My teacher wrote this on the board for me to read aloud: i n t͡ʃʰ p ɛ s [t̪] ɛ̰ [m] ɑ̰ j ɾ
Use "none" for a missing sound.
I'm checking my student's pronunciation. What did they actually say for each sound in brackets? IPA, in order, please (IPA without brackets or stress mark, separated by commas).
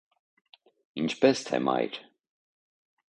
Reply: t̪ʰ, m